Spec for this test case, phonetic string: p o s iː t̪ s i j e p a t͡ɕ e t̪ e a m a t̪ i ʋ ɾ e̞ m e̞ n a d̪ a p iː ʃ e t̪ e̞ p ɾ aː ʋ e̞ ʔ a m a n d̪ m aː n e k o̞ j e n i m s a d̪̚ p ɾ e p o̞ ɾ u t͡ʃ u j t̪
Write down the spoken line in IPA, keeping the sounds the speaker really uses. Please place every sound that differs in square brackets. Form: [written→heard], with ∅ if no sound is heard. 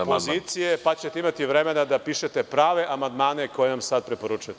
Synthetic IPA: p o [s→z] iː t̪ s i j e p a t͡ɕ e t̪ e [a→i] m a t̪ i ʋ ɾ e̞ m e̞ n a d̪ a p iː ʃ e t̪ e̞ p ɾ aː ʋ e̞ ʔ a m a n d̪ m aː n e k o̞ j e n [i→a] m s a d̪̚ p ɾ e p o̞ ɾ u t͡ʃ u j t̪